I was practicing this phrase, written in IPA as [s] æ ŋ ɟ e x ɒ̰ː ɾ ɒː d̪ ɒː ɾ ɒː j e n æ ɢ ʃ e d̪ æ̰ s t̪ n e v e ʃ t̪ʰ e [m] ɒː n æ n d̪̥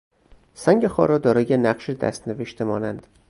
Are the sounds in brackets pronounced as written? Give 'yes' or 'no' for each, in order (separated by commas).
yes, yes